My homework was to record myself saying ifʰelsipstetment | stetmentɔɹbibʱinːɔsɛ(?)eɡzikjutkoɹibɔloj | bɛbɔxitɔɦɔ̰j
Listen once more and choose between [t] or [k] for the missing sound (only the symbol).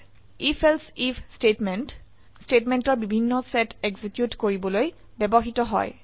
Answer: t